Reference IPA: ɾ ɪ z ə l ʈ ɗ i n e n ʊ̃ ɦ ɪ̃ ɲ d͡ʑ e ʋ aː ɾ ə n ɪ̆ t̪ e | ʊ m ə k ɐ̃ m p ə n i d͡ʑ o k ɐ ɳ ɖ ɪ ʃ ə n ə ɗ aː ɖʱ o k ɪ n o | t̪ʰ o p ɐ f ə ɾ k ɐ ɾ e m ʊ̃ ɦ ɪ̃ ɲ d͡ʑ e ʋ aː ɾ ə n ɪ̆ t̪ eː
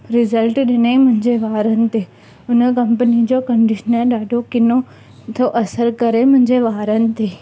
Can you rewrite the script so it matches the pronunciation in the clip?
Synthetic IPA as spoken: ɾ ɪ z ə l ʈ ɗ ɪ n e m ʊ̃ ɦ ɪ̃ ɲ d͡ʑ e ʋ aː ɾ ə n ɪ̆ t̪ e | ʊ n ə k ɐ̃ m p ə n i d͡ʑ o k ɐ ɳ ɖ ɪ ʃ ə n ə ɗ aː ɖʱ o k ɪ n o | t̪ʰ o ʔ ɐ s ə ɾ k ɐ ɾ e m ʊ̃ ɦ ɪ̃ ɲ d͡ʑ e ʋ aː ɾ ə n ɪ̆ t̪ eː